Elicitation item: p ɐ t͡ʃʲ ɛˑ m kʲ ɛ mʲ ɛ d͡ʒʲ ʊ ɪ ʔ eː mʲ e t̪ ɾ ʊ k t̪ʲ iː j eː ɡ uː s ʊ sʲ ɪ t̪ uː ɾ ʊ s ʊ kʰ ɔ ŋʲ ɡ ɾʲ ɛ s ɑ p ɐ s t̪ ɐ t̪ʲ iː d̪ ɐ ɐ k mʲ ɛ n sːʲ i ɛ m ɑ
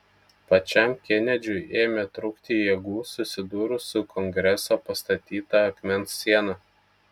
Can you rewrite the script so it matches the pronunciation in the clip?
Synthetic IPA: p ɐ t͡ʃʲ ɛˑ m kʲ ɛ nʲ ɛ d͡ʒʲ ʊ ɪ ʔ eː mʲ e t̪ ɾ ʊ k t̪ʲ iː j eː ɡ uː s ʊ sʲ ɪ d̪ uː ɾ ʊ s ʊ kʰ ɔ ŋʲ ɡ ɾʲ ɛ s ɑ p ɐ s t̪ ɐ t̪ʲ iː t̪ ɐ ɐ k mʲ ɛ n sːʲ i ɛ n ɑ